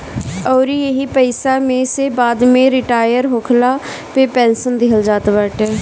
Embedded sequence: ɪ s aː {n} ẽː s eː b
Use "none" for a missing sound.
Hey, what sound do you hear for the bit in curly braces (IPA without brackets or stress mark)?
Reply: m